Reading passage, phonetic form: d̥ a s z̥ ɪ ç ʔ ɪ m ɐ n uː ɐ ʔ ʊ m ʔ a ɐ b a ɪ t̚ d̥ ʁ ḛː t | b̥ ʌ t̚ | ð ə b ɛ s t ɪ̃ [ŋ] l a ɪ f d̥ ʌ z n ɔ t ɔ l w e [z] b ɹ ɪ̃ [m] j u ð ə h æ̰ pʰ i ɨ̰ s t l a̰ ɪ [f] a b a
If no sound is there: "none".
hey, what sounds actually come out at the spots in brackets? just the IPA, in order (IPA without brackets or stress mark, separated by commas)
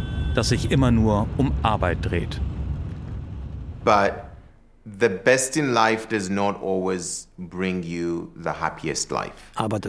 n, z, ŋ, f